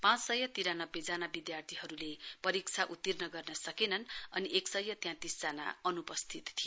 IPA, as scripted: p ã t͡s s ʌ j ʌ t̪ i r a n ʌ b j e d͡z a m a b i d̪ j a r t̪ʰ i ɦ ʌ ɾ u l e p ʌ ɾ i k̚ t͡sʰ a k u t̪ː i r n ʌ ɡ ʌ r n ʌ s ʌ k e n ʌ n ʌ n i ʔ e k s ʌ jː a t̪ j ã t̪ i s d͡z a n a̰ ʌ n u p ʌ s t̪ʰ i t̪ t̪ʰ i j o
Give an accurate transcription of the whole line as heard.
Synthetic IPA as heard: p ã t͡s s ʌ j ʌ t̪ i ɾ a n ʌ b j e d͡z a n a b i d̪ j a r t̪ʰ i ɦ ʌ ɾ u l e p ʌ ɾ i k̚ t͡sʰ a ʔ u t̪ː i r n ʌ ɡ ʌ r n ʌ s ʌ k e n ʌ n ʌ n i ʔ e k s ʌ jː ʌ t̪ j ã t̪ i s d͡z a n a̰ ʌ n u p ʌ s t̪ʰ i t̪ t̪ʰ i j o

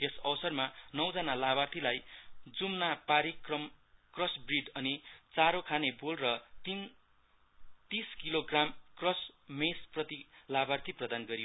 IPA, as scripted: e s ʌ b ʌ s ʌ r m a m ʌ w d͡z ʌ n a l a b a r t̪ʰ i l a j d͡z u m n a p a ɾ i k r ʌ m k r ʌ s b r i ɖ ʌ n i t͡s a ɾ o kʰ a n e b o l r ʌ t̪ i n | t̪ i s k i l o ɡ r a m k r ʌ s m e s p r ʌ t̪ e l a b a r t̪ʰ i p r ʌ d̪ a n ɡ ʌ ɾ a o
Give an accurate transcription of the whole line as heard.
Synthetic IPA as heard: e s ʌ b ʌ s ʌ r m a n ʌ w d͡z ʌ n a l a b a r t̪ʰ i l a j d͡z u m n a p a ɾ i k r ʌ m k r ʌ s b r i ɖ ʌ n i t͡s a ɾ o kʰ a n e b o l r ʌ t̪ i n | t̪ i s k i l o ɡ r a m k r ʌ s m e s p r ʌ t̪ i l a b a r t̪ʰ i p r ʌ d̪ a n ɡ ʌ ɾ i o

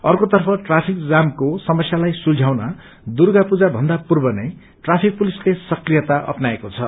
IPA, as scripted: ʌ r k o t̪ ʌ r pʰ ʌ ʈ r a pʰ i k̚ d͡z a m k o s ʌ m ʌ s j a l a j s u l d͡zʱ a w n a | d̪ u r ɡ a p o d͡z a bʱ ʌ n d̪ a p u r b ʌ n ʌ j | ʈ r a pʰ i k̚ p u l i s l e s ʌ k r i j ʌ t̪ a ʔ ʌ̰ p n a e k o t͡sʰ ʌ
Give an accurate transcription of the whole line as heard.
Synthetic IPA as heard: ʌ r k o t̪ ʌ r pʰ ʌ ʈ r a pʰ i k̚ d͡z a m k o s ʌ m ʌ s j a l a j s u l d͡zʱ a w n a | d̪ u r ɡ a p u d͡z a bʱ ʌ n d̪ a p u r b ʌ n ʌ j | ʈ r a pʰ i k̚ p u l i s l e s ʌ k r i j ʌ t̪ a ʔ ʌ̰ p n a e k o t͡sʰ ʌ

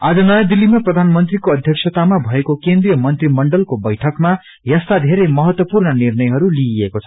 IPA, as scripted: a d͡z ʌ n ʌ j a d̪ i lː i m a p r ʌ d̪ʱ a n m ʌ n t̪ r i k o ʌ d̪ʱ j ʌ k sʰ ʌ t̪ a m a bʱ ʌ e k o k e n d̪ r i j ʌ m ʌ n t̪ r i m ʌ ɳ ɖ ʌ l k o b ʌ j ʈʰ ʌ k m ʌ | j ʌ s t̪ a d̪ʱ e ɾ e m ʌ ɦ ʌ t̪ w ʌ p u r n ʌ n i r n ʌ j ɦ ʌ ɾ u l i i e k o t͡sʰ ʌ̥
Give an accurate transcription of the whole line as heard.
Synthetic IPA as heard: a d͡z ʌ n ʌ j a d̪ i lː i m a p r ʌ d̪ʱ a n m ʌ n t̪ r i k o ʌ d̪ʱ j ʌ k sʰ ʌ t̪ a m a bʱ ʌ e k o k e n d̪ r i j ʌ m ʌ n t̪ r i m ʌ ɳ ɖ ʌ l k o b ʌ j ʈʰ ʌ k m a | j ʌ s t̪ a d̪ʱ e ɾ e m ʌ ɦ ʌ t̪ w ʌ p u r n ʌ n i r n ʌ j ɦ ʌ ɾ u l i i e k o t͡sʰ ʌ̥

